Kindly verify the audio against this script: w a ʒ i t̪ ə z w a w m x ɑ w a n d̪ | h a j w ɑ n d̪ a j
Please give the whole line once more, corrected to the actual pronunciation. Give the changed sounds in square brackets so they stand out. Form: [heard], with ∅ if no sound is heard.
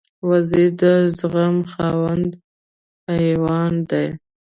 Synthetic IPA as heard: w a [z] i [d̪] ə z [ɣ] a [∅] m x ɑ w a n d̪ | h a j w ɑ n d̪ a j